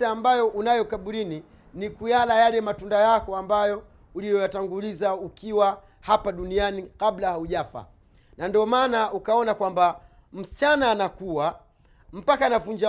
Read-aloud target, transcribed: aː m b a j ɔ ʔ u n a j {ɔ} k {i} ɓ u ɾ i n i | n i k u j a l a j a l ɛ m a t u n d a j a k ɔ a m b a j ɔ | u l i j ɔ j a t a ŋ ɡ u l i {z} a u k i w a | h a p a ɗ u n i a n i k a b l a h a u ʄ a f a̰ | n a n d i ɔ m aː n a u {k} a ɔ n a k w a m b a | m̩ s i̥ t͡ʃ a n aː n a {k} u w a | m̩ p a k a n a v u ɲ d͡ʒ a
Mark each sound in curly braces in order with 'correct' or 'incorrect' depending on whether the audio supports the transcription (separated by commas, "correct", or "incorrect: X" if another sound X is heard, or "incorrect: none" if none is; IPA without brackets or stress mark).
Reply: correct, incorrect: a, correct, correct, correct